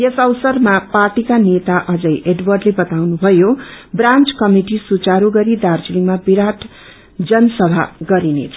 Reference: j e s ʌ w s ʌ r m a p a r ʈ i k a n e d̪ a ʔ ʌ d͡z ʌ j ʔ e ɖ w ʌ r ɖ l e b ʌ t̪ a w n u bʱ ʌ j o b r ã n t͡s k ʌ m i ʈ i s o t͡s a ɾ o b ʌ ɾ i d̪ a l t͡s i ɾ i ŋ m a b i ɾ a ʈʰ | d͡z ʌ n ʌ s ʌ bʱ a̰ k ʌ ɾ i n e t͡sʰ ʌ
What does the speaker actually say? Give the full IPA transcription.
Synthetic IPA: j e s ʌ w s ʌ r m a p a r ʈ i k a n e t̪ a ʔ ʌ d͡z ʌ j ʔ e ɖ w ʌ r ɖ l e b ʌ t̪ a w n u bʱ ʌ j o b r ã n t͡s k ʌ m i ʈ i s u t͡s a ɾ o ɡ ʌ ɾ i d̪ a r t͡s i l i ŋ m a b i ɾ a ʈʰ | d͡z ʌ n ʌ s ʌ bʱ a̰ ɡ ʌ ɾ i n e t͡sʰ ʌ

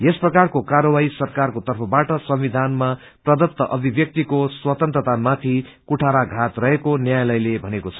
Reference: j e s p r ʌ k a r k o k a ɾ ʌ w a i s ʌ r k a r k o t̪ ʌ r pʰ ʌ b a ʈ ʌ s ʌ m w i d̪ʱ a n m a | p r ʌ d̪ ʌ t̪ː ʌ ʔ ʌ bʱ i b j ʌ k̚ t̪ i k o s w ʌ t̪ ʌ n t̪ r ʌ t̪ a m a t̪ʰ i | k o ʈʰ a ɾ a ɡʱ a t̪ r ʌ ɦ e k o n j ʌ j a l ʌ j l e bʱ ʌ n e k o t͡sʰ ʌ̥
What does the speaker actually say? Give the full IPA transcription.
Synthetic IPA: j e s p r ʌ k a r k o k a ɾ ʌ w a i s ʌ r k a r k o t̪ ʌ r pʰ ʌ b a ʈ ʌ s ʌ m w i d̪ʱ a n m a | p r ʌ d̪ ʌ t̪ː ʌ ʔ ʌ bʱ i b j ʌ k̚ t̪ i k o s w ʌ t̪ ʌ n t̪ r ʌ t̪ a m a t̪ʰ i | k u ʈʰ a ɾ a ɡʱ a t̪ r ʌ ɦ e k o n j a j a l ʌ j l e bʱ ʌ n e k o t͡sʰ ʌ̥

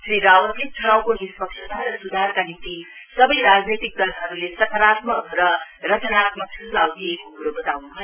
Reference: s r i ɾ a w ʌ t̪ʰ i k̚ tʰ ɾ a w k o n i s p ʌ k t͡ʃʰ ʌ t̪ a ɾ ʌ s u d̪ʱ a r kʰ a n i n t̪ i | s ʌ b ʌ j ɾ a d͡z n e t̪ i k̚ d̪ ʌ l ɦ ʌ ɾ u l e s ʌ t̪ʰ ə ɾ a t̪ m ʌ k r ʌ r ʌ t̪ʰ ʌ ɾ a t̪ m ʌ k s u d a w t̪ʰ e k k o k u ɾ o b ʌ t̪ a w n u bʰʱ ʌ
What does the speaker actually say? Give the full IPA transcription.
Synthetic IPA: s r i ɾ a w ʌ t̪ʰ i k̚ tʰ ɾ a w k o n i s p ʌ k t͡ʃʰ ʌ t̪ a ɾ ʌ s u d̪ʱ a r k a n i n t̪ i | s ʌ b ʌ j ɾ a d͡z n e t̪ i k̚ d̪ ʌ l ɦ ʌ ɾ u l e s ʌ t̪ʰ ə ɾ a t̪ m ʌ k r ʌ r ʌ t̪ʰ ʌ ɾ a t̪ m ʌ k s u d a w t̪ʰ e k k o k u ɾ o b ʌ t̪ a w n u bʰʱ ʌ

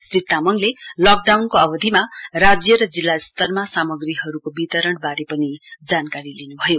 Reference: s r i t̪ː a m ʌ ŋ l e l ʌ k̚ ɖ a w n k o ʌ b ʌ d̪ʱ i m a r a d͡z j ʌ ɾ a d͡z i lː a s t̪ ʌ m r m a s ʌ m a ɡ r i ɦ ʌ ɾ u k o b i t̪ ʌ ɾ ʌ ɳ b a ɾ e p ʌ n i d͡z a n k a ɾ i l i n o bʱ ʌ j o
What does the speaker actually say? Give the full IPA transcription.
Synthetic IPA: s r i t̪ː a m ʌ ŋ l e l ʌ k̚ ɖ a w n k o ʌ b ʌ d̪ʱ i m a r a d͡z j ʌ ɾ ʌ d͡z i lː a s t̪ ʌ r m a s a m ʌ ɡ r i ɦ ʌ ɾ u k o b i t̪ ʌ ɾ ʌ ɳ b a ɾ e p ʌ n i d͡z a n k a ɾ i l i n u bʱ ʌ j o

